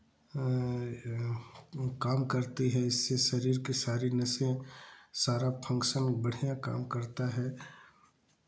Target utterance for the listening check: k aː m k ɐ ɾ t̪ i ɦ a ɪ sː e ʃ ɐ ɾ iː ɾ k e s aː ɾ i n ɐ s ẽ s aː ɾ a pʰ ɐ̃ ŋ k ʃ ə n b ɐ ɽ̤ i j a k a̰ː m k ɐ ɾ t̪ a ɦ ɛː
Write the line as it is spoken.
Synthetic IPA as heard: k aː m k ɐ ɾ t̪ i ɦ ɛ ɪ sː e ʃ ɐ ɾ iː ɾ k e s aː ɾ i n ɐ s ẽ s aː ɾ a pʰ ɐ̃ ŋ k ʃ ə n b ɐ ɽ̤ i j a k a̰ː m k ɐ ɾ t̪ a ɦ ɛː

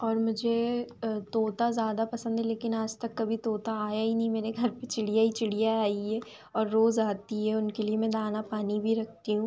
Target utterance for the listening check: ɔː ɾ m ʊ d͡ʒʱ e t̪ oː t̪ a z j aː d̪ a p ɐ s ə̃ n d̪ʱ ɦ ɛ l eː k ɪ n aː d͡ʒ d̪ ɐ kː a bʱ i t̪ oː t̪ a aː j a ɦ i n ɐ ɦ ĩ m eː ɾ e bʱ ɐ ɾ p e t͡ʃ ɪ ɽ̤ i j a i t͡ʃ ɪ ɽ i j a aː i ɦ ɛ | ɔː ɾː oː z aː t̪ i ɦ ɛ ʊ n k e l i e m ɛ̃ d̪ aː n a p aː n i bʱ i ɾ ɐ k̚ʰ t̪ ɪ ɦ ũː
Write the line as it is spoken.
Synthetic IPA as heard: ɔː ɾ m ʊ d͡ʒʱ e t̪ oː t̪ a z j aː d̪ a p ɐ s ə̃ n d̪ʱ ɦ ɛ l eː k ɪ n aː d͡ʒ t̪ ɐ kː ɐ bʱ i t̪ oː t̪ a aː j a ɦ i n ɐ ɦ ĩ m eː ɾ e ɡʱ ɐ ɾ p e t͡ʃ ɪ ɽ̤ i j a i t͡ʃ ɪ ɽ i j a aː i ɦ ɛ | ɔː ɾː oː z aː t̪ i ɦ ɛ ʊ n k e l i e m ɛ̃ d̪ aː n a p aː n i bʱ i ɾ ɐ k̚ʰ t̪ i ɦ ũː

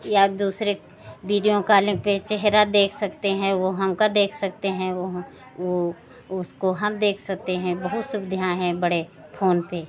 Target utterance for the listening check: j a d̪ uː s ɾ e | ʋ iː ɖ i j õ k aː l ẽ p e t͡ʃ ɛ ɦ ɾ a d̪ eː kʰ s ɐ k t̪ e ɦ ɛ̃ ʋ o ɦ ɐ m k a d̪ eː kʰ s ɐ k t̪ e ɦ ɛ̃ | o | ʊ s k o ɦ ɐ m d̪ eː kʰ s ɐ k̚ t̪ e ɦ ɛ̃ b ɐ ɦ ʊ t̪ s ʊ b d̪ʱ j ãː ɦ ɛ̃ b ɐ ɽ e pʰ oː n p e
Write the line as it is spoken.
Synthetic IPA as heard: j a d̪ uː s ɾ e | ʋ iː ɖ i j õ k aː l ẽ p e t͡ʃ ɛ ɦ ɾ a d̪ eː kʰ s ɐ k t̪ e ɦ ɛ̃ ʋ o ɦ ɐ m k a d̪ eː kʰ s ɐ k t̪ e ɦ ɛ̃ | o | ʊ s k o ɦ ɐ m d̪ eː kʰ s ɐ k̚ t̪ e ɦ ɛ̃ b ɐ ɦ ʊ t̪ s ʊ b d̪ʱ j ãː ɦ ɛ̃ b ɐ ɽ e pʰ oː n p e

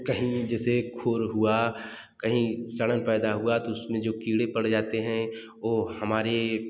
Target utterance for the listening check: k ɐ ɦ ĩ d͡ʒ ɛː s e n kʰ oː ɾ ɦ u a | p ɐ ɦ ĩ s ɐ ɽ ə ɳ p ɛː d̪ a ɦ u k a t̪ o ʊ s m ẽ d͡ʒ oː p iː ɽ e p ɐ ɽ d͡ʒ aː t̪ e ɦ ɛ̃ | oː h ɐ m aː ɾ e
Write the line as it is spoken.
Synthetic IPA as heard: k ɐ ɦ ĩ d͡ʒ ɛː s e kʰ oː ɾ ɦ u a | k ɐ ɦ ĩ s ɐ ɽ ə n p ɛː d̪ a ɦ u a t̪ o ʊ s m ẽ d͡ʒ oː k iː ɽ e p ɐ ɽ d͡ʒ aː t̪ e ɦ ɛ̃ | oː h ɐ m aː ɾ e

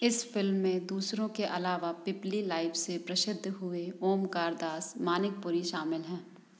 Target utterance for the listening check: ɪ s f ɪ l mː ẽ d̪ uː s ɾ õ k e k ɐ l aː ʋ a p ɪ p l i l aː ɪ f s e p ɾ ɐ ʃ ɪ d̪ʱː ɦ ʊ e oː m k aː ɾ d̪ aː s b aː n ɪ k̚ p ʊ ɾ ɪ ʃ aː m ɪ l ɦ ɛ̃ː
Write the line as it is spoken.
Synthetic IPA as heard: ɪ s f ɪ l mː ẽ d̪ uː s ɾ õ k e ʔ ɐ l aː ʋ a p ɪ p l i l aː ɪ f s e p ɾ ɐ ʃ ɪ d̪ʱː ɦ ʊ e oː m k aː ɾ d̪ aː s m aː n ɪ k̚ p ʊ ɾ i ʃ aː m ɪ l ɦ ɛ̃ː

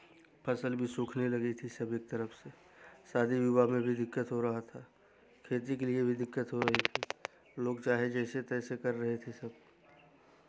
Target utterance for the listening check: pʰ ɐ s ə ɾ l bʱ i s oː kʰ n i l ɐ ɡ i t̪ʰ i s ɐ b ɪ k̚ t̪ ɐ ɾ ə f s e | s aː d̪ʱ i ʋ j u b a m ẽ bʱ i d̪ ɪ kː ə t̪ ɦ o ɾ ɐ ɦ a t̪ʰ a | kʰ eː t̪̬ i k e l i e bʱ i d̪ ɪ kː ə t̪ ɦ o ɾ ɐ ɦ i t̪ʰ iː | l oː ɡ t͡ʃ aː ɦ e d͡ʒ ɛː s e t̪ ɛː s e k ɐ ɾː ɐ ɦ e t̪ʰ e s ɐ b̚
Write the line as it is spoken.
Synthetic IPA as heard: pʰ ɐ s ə l bʱ i s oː kʰ n e l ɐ ɡ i t̪ʰ i s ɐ b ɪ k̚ t̪ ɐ ɾ ə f s e | s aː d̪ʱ i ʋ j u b a m ẽ bʱ i d̪ ɪ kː ə t̪ ɦ o ɾ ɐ ɦ a t̪ʰ a | kʰ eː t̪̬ i k e l i e bʱ i d̪ ɪ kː ə t̪ ɦ o ɾ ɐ ɦ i t̪ʰ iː | l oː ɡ t͡ʃ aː ɦ e d͡ʒ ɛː s e t̪ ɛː s e k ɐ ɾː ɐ ɦ e t̪ʰ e s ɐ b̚

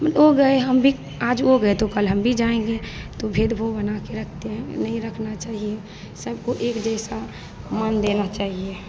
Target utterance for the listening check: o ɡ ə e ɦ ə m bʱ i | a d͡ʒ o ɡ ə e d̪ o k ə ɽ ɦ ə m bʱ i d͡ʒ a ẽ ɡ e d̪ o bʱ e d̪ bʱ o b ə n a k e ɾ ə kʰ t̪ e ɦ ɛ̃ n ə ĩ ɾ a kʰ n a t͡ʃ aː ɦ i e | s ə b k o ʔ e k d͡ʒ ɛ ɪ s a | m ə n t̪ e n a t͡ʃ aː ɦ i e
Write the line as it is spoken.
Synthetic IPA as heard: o ɡ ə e ɦ ə m bʱ i | a d͡ʒ o ɡ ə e t̪ o k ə l ɦ ə m bʱ i d͡ʒ a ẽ ɡ e t̪ o bʱ e d̪ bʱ o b ə n a k e ɾ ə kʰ t̪ e ɦ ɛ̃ n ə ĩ ɾ ə kʰ n a t͡ʃ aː ɦ i e | s ə b k o ʔ e k d͡ʒ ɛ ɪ s a | m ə n d̪ e n a t͡ʃ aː ɦ i e

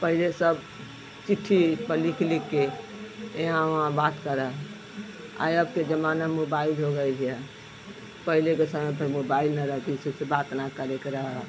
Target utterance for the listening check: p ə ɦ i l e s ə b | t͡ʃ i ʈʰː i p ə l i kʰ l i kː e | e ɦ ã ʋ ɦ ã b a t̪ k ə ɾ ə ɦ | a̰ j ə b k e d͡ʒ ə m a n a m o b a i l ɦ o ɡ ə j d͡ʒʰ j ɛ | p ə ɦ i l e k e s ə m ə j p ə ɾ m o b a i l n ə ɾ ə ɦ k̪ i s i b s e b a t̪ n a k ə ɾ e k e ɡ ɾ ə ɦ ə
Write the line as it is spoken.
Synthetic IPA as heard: p ə ɦ i l e s ə b | t͡ʃ i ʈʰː i p ə l i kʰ l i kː e | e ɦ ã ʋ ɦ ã b a t̪ k ə ɾ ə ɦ | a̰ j ə b k e d͡ʒ ə m a n a m o b a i l ɦ o ɡ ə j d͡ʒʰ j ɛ | p ə ɦ i l e k e s ə m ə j p ə ɾ m o b a i l n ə ɾ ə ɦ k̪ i s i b s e b a t̪ n a k ə ɾ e k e ɾ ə ɦ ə

